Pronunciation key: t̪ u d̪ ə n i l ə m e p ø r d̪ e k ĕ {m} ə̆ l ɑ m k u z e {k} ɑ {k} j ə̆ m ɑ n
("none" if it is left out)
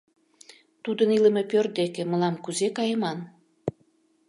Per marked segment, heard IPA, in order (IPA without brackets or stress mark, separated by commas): m, k, none